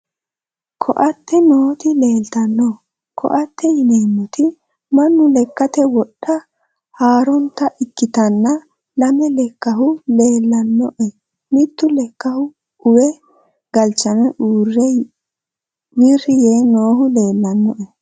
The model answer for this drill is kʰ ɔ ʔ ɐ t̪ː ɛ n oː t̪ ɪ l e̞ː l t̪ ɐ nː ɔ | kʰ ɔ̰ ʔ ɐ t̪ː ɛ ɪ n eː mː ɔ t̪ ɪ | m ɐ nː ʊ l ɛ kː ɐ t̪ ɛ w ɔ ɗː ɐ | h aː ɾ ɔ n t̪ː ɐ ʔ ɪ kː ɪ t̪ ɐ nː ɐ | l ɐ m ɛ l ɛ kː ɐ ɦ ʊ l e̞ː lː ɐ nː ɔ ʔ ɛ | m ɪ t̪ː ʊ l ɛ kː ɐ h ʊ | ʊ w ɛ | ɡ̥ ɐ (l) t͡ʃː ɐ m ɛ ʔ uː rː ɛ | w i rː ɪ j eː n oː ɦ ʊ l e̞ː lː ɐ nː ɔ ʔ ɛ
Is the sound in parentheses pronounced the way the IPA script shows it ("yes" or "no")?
yes